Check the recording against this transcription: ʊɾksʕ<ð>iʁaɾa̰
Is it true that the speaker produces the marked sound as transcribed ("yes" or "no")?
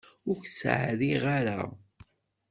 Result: yes